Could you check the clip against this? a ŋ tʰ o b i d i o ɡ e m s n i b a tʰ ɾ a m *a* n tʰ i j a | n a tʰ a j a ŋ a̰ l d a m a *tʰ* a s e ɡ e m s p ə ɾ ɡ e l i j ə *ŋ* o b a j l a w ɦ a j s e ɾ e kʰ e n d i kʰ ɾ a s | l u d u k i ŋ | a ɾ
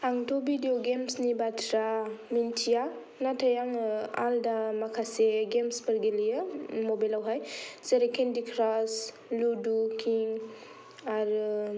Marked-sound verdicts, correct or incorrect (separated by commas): incorrect, incorrect, incorrect